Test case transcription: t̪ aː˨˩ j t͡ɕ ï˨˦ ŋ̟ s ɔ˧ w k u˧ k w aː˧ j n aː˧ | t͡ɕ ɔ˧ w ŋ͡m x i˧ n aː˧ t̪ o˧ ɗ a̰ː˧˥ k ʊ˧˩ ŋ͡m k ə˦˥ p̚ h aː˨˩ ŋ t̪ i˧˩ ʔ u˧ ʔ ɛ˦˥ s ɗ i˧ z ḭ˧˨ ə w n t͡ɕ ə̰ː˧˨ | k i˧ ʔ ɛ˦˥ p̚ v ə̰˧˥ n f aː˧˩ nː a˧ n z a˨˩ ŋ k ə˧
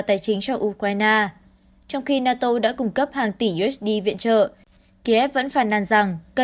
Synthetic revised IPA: t̪ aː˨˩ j t͡ɕ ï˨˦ ŋ̟ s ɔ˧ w ʔ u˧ k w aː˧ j n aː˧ | t͡ɕ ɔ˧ w ŋ͡m x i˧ n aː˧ t̪ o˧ ɗ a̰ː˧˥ k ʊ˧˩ ŋ͡m k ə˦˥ p̚ h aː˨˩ ŋ t̪ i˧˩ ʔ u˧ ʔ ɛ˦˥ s ɗ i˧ v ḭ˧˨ ə n t͡ɕ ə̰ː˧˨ | k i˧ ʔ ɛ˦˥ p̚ v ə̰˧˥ n f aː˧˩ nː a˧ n z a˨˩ ŋ k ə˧